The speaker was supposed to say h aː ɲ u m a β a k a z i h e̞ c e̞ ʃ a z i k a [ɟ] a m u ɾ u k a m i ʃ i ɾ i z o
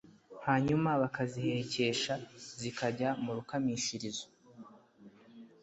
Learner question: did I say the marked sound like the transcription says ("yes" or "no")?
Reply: yes